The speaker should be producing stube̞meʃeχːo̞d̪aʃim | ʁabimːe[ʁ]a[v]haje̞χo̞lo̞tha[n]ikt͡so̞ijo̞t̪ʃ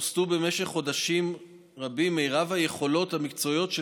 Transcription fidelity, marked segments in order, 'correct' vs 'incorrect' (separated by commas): correct, correct, incorrect